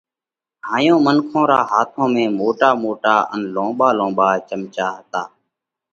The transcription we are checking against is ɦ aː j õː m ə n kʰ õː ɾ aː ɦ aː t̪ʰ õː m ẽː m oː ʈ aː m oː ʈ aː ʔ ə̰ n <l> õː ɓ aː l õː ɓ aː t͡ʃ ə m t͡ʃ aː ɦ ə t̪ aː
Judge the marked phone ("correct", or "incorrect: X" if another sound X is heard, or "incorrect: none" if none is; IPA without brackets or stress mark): correct